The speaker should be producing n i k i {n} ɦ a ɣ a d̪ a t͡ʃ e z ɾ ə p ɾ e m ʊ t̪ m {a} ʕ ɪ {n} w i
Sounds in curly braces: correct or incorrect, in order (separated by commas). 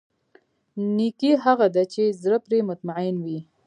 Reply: incorrect, correct, correct